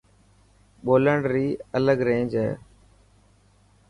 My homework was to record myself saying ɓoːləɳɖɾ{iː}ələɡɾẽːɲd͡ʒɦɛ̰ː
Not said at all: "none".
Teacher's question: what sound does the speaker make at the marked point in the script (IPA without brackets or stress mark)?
iː